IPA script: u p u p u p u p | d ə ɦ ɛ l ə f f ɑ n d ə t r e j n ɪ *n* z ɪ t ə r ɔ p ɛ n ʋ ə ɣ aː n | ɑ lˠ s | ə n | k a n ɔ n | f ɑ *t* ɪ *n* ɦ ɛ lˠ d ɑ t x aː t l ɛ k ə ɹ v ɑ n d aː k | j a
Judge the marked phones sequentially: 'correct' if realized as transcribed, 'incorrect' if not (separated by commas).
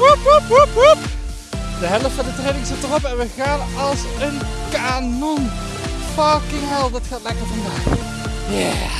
incorrect, incorrect, incorrect